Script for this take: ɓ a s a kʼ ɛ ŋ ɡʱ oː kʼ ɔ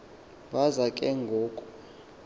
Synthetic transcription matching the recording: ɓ a z a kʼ ɛ ŋ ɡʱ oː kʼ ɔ